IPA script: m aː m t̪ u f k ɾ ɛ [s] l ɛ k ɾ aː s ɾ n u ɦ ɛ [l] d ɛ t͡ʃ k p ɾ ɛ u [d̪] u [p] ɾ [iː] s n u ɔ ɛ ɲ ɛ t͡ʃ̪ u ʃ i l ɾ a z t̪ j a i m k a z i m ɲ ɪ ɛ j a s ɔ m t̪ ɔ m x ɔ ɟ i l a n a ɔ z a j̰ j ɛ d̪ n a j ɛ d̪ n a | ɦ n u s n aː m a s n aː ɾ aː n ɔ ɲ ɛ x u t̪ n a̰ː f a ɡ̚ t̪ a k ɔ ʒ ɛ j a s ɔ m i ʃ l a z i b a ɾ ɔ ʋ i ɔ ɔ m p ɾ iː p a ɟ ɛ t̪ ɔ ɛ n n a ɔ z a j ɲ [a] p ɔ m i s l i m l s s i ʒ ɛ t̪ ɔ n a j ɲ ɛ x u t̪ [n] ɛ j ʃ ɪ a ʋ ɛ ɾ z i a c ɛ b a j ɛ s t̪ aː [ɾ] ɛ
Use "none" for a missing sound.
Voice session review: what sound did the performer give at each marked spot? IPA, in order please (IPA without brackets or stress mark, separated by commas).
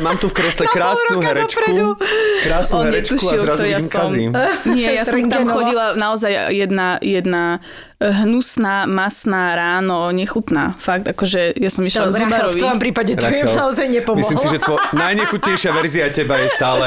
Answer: s, ɾ, d̪, k, aː, ɛ, ɲ, l